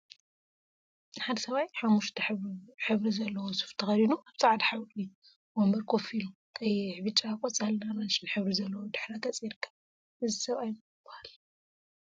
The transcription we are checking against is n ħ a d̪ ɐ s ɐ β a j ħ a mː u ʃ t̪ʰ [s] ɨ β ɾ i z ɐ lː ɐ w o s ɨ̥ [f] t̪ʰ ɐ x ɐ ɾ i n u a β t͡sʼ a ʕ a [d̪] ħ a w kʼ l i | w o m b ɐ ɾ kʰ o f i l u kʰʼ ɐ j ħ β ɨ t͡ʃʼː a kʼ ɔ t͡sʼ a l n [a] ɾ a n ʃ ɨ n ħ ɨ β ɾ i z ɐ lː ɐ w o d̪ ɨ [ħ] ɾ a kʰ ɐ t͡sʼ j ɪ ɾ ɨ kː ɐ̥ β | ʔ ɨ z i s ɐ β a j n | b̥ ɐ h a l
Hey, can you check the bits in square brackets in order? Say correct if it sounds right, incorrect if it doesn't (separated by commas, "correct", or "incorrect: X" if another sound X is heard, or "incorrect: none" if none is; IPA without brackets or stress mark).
incorrect: ħ, correct, correct, correct, correct